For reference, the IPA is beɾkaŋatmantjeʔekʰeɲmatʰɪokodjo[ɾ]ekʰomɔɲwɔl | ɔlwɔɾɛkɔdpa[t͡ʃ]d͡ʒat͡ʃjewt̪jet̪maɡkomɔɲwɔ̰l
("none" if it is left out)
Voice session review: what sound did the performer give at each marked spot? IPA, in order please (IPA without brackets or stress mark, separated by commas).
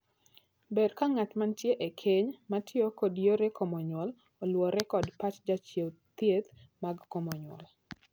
ɾ, t͡ʃ